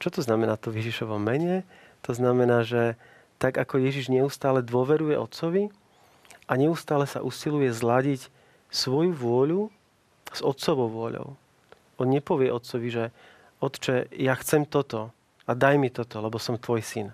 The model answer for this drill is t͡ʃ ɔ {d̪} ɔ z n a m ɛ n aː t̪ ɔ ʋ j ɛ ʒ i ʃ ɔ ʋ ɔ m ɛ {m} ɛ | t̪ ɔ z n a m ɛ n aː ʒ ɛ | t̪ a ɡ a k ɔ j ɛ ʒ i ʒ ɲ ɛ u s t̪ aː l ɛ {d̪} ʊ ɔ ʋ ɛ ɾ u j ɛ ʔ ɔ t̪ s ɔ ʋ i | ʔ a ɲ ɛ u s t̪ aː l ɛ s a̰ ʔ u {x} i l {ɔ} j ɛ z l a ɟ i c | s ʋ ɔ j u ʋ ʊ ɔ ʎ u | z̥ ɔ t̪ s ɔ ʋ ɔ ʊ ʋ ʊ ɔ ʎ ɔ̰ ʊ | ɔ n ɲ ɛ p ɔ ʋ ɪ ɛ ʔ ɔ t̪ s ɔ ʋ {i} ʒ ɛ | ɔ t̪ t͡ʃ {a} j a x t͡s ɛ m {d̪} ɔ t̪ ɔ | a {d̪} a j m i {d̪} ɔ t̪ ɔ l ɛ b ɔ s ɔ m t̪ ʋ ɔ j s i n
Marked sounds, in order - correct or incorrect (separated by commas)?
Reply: incorrect, incorrect, correct, incorrect, incorrect, correct, incorrect, incorrect, correct, incorrect